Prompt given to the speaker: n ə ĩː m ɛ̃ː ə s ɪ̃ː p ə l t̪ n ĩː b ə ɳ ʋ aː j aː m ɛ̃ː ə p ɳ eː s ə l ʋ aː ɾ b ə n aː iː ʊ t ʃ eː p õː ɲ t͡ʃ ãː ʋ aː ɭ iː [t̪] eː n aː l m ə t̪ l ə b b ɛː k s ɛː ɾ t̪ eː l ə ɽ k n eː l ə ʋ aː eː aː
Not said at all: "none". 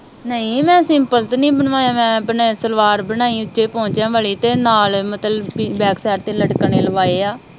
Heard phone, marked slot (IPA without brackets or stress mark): t̪